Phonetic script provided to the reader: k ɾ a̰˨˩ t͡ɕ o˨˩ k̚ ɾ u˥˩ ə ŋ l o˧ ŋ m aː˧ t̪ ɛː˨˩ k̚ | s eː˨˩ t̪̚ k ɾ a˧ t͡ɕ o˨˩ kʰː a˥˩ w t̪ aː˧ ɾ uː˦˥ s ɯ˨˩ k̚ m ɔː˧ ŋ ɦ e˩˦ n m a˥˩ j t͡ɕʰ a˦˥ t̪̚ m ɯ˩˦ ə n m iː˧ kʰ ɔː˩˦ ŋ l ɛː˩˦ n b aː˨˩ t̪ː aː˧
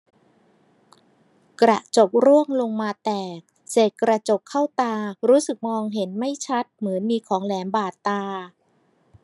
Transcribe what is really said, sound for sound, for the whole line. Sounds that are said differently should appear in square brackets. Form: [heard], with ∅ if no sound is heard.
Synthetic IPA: k ɾ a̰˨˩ t͡ɕ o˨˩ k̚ ɾ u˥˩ ə ŋ l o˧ ŋ m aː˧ t̪ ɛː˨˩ k̚ | s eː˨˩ t̪̚ k ɾ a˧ t͡ɕ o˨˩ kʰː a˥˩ w t̪ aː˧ ɾ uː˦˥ s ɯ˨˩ k̚ m ɔː˧ ŋ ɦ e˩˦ n m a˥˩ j t͡ɕʰ a˦˥ t̪̚ m ɯ˩˦ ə n m iː˧ kʰ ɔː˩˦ ŋ l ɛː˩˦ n b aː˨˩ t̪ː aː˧